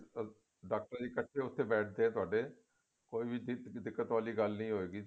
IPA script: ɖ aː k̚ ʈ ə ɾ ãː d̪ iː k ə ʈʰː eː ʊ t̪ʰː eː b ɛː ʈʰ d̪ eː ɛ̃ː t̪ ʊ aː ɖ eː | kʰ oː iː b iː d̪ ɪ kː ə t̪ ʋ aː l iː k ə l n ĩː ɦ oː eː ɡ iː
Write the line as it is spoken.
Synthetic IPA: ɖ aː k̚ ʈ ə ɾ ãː d̪ iː k ə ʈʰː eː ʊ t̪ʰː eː b ɛː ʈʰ d̪ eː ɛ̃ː t̪ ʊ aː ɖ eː | k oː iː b iː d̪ ɪ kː ə t̪ ʋ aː l iː ɡ ə l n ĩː ɦ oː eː ɡ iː